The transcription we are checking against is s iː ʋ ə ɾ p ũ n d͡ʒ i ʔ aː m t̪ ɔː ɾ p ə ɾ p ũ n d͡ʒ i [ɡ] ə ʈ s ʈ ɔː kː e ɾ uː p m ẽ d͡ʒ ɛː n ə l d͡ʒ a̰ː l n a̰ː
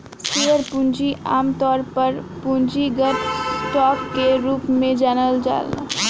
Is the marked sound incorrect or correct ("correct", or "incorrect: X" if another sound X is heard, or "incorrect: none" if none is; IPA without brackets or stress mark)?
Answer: correct